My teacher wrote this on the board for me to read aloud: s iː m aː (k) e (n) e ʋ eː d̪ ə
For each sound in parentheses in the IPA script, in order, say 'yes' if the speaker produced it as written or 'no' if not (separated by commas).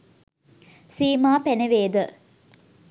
no, yes